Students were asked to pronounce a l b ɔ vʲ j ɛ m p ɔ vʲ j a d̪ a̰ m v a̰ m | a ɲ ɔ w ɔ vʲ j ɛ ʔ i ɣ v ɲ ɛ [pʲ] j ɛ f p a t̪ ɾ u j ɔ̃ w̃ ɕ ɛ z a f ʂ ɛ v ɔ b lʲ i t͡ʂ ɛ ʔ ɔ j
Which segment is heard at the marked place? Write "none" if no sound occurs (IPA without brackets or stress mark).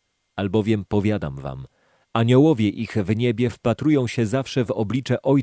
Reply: bʲ